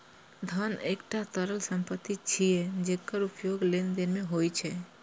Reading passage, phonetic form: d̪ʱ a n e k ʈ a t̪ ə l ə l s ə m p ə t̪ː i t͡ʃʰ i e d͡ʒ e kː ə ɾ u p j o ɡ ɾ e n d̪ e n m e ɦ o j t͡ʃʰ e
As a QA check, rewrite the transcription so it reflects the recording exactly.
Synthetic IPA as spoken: d̪ʱ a n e k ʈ a t̪ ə ɾ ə l s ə m p ə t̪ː i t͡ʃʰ i e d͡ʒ e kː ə ɾ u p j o ɡ l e n d̪ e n m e ɦ o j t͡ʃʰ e